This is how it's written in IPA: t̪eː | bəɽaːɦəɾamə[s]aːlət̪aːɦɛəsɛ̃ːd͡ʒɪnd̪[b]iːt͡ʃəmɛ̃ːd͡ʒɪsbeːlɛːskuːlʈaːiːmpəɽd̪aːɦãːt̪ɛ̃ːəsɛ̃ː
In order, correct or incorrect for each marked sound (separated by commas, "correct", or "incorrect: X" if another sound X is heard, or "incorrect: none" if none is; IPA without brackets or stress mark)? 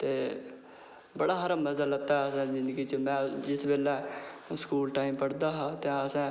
incorrect: z, incorrect: ɡ